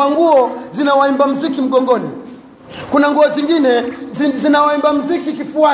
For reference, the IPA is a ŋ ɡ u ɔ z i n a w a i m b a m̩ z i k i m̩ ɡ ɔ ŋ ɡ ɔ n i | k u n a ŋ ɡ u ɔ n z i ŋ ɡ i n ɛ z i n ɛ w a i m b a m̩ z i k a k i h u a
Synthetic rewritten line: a ŋ ɡ u ɔ z i n a w a i m b a m̩ z i k i m̩ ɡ ɔ ŋ ɡ ɔ n i | k u n a ŋ ɡ u ɔ z i ŋ ɡ i n ɛ z i n a w a i m b a m̩ z i k i k i f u a